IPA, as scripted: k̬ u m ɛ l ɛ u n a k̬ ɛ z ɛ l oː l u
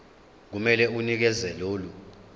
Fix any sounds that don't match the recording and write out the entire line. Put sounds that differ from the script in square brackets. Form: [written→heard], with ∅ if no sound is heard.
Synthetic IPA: k̬ u m ɛ l ɛ u n [a→i] k̬ ɛ z ɛ l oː l u